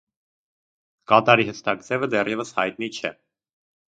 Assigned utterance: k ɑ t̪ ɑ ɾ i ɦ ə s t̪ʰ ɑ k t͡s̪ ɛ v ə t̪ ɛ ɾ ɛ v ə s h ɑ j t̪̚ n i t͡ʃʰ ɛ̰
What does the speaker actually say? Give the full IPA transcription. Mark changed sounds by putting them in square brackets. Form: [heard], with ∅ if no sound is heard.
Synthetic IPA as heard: k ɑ t̪ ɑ ɾ i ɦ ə s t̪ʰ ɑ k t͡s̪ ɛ v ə [d̪] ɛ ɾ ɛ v ə s h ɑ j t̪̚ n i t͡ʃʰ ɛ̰